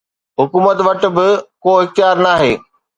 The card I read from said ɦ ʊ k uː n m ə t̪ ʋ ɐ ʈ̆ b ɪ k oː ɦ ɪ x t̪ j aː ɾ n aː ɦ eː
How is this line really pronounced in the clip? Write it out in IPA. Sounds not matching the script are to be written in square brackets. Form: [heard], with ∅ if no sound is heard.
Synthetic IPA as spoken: ɦ ʊ k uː [∅] m ə t̪ ʋ ɐ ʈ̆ b ɪ k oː ɦ ɪ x t̪ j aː ɾ n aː ɦ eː